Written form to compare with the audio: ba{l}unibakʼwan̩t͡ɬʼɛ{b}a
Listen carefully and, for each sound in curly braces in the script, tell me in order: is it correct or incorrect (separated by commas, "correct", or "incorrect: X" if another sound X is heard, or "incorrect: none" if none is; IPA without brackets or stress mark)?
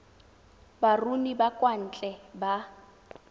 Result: incorrect: r, correct